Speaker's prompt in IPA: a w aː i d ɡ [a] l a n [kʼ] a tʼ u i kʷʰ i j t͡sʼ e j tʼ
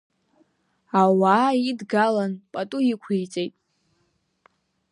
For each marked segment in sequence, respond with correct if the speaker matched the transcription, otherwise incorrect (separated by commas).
correct, incorrect